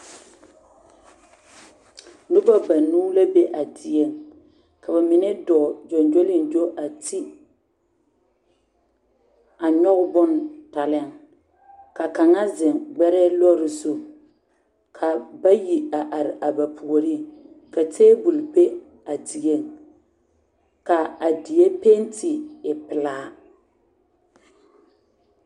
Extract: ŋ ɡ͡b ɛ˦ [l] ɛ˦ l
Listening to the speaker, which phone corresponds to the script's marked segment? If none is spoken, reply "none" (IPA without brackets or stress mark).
ɾ